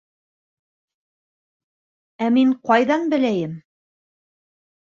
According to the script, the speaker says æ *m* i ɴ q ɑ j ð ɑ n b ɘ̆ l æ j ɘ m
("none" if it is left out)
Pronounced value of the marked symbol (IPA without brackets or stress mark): m